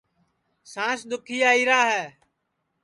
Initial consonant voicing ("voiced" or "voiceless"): voiceless